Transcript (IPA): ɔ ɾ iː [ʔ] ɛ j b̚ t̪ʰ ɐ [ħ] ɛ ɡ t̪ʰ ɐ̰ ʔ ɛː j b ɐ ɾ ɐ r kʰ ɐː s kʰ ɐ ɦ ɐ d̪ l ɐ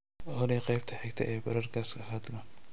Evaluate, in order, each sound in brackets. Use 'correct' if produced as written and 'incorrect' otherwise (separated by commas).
incorrect, correct